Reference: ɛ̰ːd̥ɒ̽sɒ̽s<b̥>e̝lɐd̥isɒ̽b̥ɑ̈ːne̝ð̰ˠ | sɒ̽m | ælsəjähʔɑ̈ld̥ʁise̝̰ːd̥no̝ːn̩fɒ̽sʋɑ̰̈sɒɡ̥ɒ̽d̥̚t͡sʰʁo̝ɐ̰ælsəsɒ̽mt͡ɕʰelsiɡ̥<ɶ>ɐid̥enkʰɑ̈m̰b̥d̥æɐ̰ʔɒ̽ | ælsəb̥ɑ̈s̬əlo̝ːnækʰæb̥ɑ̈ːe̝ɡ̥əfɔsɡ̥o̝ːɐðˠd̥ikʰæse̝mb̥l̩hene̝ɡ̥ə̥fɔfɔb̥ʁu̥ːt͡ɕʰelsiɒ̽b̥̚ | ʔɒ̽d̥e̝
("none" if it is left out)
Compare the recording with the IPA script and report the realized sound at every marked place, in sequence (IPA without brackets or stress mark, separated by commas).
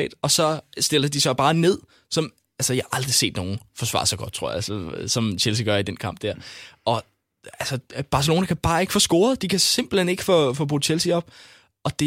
d̥, ɶ